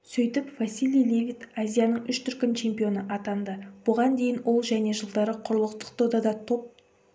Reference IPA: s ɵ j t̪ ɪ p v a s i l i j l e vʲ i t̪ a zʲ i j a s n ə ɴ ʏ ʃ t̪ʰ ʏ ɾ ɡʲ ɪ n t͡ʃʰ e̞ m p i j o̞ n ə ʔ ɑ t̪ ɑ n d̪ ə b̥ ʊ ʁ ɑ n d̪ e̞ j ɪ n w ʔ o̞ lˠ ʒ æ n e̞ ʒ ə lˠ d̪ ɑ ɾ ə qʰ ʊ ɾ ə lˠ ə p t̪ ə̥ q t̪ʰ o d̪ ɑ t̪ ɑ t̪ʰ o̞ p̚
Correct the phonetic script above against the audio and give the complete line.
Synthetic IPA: s ɵ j t̪ ɪ p v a s i l i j l e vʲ i t̪ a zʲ i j a n ə ɴ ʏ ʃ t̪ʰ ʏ ɾ kʲ ɪ n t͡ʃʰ e̞ m p i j o̞ n ə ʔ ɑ t̪ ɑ n d̪ ə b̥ ʊ ʁ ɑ n d̪ e̞ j ɪ n w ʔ o̞ lˠ ʒ æ n e̞ ʒ ə lˠ d̪ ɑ ɾ ə qʰ ʊ ɾ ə lˠ ə q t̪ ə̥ q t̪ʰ o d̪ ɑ d̪ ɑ t̪ʰ o̞ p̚